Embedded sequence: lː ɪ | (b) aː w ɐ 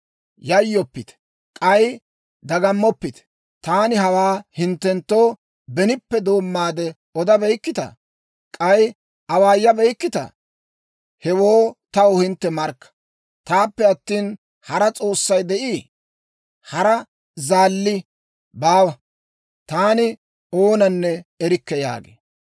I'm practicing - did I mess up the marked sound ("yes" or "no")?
no